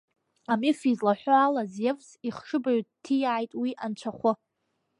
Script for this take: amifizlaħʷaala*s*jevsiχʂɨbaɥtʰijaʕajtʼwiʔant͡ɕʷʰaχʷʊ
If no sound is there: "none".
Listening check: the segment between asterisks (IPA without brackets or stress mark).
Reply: z